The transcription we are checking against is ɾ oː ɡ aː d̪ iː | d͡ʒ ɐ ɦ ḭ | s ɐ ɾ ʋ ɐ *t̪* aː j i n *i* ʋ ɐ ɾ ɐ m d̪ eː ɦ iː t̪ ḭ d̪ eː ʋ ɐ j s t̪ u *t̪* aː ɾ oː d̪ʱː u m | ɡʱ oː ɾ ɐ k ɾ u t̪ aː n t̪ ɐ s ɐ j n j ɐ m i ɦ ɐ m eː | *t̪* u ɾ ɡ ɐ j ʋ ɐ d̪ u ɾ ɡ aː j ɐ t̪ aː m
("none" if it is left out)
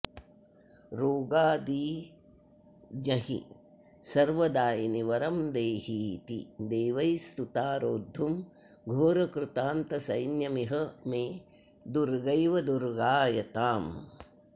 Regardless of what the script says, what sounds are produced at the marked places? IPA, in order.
d̪, i, t̪, d̪

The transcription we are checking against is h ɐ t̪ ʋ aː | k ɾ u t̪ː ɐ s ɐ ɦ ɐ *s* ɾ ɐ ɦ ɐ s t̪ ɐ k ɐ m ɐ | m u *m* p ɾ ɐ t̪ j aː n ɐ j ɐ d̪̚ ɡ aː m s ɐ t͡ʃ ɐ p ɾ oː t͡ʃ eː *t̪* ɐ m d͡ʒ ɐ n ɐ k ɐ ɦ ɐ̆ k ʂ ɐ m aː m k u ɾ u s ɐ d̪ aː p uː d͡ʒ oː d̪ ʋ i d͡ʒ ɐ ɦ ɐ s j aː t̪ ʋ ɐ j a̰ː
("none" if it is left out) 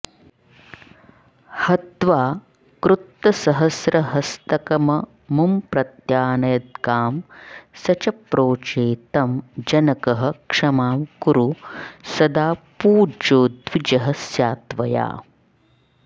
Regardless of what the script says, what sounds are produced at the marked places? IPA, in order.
s, m, t̪

